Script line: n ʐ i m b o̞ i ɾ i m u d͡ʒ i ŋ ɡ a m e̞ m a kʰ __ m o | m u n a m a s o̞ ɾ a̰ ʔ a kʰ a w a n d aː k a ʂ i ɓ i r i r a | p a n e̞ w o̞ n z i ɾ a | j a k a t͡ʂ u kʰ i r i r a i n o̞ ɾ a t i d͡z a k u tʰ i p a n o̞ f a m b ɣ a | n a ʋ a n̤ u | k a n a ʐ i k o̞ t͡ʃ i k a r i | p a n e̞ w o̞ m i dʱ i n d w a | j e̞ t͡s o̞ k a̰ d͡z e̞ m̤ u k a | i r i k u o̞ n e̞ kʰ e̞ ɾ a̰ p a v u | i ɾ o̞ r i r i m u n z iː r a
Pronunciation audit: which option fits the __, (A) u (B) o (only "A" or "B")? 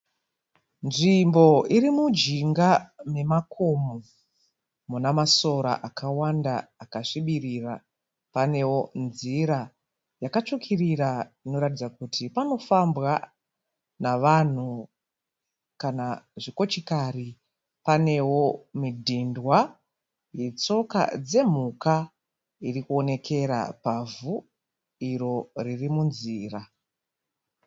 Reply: B